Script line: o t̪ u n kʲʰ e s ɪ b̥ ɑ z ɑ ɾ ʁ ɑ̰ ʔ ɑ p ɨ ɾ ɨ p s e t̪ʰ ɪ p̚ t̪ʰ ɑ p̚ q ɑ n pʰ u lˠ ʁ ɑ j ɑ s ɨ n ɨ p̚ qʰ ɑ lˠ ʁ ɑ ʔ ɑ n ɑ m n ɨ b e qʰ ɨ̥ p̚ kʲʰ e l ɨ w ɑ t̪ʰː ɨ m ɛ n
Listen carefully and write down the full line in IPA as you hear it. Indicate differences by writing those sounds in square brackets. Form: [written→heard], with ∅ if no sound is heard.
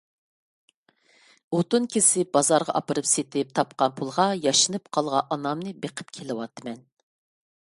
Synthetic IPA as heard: o t̪ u n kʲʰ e s ɪ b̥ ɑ z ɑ ɾ ʁ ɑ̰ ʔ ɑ p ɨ ɾ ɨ p s e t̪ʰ ɪ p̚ t̪ʰ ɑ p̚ q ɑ n pʰ u lˠ ʁ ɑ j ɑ [s→ʃ] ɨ n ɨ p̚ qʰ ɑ lˠ ʁ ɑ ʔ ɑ n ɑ m n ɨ b e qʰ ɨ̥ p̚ kʲʰ e l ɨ w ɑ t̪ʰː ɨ m ɛ n